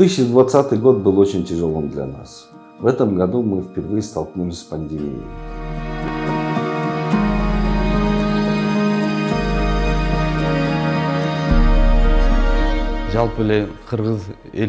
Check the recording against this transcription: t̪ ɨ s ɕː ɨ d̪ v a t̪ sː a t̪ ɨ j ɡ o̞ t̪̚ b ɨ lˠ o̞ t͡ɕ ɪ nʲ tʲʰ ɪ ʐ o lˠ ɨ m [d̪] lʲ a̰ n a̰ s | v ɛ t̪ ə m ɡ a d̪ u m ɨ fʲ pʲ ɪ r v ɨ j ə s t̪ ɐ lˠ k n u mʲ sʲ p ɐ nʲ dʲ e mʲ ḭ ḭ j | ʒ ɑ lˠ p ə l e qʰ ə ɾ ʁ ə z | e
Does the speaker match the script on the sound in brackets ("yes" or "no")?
yes